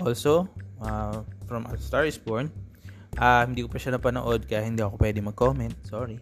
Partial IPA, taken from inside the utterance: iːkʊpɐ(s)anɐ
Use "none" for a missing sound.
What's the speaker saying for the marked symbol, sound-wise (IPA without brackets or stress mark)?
ʃ